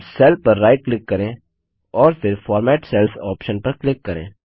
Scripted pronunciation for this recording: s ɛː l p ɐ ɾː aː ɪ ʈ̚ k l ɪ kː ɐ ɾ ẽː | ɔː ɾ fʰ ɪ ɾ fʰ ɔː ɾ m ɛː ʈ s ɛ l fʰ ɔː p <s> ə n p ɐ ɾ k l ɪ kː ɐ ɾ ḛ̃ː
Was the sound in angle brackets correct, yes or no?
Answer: no